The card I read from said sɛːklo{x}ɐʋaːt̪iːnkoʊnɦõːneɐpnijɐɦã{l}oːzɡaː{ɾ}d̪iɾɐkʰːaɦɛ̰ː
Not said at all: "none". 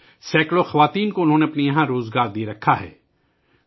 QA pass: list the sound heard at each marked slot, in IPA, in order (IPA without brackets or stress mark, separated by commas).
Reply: x, ɾ, ɾ